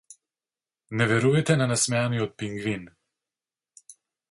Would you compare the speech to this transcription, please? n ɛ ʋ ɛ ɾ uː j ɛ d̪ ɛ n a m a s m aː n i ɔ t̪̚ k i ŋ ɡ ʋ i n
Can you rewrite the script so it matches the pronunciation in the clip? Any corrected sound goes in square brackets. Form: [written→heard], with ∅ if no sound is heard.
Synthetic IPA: n ɛ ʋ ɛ ɾ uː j ɛ [d̪→t̪] ɛ n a [m→n] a s m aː n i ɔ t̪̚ [k→p] i ŋ ɡ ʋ i n